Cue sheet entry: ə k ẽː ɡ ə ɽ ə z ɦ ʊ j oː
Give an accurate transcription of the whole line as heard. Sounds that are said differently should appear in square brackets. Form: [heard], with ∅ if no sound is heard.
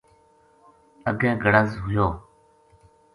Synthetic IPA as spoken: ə [ɡ] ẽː ɡ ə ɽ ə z ɦ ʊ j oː